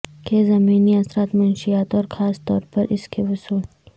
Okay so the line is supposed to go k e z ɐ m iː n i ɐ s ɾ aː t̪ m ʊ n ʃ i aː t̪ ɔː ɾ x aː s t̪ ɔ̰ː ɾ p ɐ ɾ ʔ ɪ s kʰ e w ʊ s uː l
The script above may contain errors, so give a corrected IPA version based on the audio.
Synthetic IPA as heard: k e z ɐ m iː n i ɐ s ɾ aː t̪ m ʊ n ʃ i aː t̪ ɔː ɾ x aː s t̪ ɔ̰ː ɾ p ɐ ɾ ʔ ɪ s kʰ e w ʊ s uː l